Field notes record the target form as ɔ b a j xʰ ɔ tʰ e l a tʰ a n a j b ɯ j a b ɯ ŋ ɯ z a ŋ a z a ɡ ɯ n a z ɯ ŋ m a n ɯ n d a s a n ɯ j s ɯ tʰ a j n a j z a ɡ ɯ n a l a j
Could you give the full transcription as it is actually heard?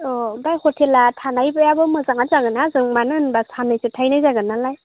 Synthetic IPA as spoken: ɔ b a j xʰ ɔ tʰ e l a tʰ a n a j b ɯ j a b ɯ m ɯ z a ŋ a z a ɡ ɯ n a z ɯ ŋ m a n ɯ n b a s a n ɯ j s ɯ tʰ a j n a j z a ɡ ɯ n a l a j